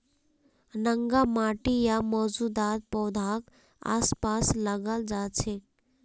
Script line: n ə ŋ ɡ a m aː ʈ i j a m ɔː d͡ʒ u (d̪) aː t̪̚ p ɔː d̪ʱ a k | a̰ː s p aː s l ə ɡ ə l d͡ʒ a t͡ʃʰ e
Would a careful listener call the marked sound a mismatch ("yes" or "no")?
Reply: no